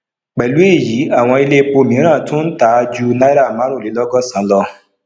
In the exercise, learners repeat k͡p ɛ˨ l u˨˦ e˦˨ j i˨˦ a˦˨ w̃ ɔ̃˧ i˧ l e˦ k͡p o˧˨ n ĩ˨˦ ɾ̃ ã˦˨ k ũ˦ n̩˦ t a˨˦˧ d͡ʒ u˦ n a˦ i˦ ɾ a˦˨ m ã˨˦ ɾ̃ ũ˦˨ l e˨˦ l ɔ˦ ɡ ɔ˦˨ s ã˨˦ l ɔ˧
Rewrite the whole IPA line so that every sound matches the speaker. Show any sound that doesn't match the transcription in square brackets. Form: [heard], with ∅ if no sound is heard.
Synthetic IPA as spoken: k͡p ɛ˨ l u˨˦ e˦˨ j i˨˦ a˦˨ w̃ ɔ̃˧ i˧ l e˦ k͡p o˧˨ [m] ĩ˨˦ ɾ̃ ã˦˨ [t] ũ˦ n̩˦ t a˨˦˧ d͡ʒ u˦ n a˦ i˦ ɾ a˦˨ m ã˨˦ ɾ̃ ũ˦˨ l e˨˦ l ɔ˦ ɡ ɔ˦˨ s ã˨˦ l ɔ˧